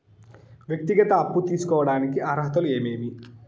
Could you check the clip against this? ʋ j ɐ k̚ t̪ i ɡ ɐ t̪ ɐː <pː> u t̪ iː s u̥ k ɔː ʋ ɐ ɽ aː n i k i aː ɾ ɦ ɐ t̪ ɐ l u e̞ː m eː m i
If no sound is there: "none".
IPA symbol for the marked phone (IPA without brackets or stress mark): pː